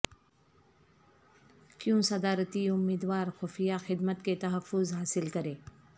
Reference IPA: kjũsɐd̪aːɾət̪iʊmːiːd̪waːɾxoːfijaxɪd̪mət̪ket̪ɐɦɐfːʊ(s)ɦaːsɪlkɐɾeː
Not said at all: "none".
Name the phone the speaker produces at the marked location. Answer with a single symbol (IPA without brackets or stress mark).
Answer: z